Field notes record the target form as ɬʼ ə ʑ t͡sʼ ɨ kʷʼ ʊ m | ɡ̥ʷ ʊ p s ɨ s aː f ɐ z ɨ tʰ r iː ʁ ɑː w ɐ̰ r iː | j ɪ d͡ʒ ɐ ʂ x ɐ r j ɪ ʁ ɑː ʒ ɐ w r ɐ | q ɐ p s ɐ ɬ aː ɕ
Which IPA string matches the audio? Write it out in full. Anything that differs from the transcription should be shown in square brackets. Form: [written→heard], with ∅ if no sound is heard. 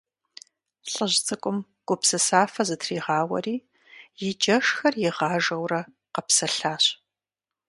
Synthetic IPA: ɬʼ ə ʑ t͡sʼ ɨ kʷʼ ʊ m | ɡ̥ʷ ʊ p s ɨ s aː f ɐ z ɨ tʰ r iː ʁ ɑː w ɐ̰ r iː | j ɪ d͡ʒ ɐ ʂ x ɐ r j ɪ ʁ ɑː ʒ ɐ w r ɐ | q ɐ p s ɐ ɬ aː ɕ